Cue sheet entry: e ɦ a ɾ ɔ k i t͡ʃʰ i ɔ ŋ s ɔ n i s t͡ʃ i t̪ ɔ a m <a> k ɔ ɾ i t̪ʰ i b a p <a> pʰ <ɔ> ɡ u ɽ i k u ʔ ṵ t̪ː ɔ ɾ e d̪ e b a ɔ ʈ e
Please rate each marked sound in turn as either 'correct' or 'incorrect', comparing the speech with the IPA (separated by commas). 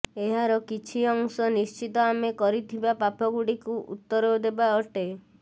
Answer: incorrect, correct, correct